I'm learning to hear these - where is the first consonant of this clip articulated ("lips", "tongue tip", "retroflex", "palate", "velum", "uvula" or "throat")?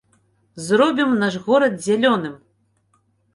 tongue tip